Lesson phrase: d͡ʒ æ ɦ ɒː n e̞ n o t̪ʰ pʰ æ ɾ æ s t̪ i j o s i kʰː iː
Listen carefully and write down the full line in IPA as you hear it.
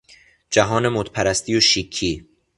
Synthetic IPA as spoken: d͡ʒ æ ɦ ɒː n e̞ m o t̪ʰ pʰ æ ɾ æ s t̪ i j o ʃ i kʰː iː